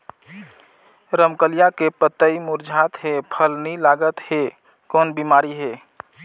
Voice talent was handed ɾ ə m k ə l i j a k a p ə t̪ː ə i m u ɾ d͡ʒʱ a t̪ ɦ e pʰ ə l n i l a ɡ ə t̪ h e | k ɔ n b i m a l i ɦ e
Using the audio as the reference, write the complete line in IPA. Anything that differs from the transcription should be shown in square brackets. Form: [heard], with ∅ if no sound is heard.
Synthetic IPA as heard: ɾ ə m k ə l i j a k [e] p ə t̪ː ə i m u ɾ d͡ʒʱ a t̪ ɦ e pʰ ə l n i l a ɡ ə t̪ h e | k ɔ n b i m a [ɾ] i ɦ e